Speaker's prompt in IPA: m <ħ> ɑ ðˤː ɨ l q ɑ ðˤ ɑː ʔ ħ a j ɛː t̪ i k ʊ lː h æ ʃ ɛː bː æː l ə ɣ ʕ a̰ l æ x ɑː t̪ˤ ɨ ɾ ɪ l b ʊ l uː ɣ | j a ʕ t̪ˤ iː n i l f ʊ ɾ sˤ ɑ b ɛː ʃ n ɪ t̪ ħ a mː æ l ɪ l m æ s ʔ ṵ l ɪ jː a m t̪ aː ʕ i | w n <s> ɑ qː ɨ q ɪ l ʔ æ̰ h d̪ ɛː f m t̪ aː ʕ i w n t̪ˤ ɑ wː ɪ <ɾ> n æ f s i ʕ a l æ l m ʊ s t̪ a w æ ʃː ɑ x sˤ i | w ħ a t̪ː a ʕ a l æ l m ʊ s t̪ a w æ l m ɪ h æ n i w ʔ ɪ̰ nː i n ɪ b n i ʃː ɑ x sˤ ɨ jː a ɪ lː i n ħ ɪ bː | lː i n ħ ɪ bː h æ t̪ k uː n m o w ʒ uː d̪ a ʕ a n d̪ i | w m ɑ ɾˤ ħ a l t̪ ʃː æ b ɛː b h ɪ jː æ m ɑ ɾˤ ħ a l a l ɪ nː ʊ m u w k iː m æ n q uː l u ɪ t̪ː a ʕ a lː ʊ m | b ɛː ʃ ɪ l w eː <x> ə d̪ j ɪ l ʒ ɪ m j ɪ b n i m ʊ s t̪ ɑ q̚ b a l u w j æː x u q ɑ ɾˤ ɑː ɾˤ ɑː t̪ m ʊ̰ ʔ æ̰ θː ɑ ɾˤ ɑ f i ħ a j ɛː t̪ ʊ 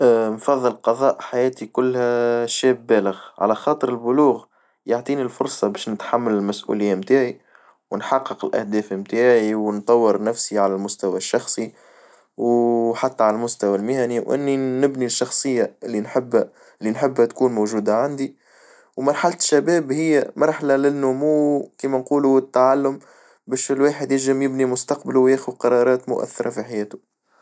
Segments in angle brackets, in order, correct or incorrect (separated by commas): incorrect, incorrect, correct, incorrect